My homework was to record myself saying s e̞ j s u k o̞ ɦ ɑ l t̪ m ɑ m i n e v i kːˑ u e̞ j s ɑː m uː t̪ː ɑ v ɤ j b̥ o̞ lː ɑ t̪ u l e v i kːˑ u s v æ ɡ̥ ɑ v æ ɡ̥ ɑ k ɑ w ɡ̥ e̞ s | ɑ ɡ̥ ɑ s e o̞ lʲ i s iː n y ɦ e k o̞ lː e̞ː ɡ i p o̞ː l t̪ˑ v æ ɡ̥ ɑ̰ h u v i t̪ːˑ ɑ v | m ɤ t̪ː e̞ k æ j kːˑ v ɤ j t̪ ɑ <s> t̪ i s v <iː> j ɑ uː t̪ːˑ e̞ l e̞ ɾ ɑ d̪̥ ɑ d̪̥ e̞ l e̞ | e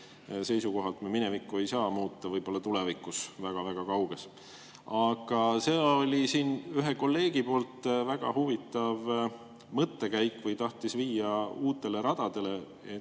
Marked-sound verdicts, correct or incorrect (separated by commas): incorrect, correct